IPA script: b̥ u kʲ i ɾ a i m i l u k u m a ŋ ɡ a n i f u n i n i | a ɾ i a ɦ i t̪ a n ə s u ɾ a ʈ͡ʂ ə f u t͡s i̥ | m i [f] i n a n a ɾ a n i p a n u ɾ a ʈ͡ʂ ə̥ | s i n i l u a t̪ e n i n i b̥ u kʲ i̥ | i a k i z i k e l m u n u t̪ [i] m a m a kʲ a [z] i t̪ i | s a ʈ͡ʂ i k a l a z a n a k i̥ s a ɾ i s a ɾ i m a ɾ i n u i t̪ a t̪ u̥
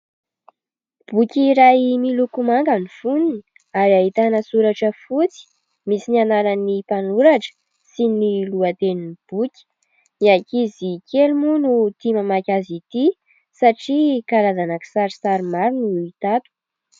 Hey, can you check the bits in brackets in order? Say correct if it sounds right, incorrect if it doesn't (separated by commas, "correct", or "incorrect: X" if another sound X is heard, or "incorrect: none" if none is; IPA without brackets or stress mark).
incorrect: s, correct, correct